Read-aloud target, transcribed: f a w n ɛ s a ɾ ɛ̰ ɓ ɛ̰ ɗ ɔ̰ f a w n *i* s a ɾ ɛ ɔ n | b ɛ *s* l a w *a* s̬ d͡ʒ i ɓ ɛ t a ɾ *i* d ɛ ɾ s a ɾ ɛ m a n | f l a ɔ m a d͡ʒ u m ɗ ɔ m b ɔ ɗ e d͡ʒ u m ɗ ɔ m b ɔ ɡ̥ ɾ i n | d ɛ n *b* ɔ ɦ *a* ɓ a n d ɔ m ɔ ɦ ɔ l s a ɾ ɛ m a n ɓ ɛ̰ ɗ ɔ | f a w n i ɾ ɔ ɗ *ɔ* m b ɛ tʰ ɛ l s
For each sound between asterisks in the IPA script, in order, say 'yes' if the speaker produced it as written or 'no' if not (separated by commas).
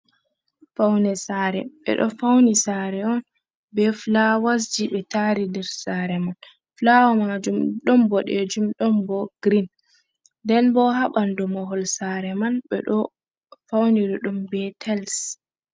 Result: yes, no, yes, yes, yes, yes, no